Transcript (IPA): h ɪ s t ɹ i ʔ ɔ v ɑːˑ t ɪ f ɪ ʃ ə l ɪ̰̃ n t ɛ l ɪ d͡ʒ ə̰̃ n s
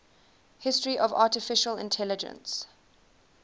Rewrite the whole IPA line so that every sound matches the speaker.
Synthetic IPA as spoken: h ɪ s t ɹ i ʔ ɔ v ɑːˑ t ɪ f ɪ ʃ ə l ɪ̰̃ n tʰ ɛ l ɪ d͡ʒ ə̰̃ n s